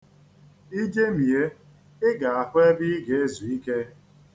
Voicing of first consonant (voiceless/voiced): voiced